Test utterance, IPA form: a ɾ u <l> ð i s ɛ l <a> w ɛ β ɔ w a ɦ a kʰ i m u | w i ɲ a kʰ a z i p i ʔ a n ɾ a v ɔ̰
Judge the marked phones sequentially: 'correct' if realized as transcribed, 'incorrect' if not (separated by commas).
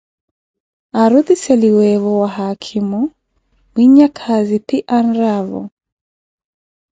incorrect, incorrect